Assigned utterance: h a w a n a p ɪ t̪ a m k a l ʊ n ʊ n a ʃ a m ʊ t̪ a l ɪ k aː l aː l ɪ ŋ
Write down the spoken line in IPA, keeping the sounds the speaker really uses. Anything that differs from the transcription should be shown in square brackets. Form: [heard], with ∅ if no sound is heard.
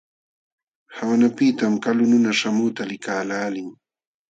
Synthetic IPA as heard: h a w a n a p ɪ t̪ a m k a l ʊ n ʊ n a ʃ a m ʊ t̪ a l ɪ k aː l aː l ɪ ŋ